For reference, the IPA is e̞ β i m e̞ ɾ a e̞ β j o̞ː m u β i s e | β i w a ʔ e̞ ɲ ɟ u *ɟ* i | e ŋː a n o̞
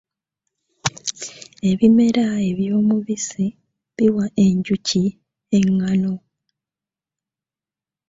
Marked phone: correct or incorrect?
incorrect: c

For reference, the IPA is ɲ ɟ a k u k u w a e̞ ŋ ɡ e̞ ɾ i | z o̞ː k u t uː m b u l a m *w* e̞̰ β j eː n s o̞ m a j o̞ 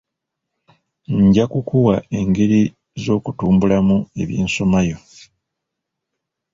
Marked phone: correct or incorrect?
incorrect: u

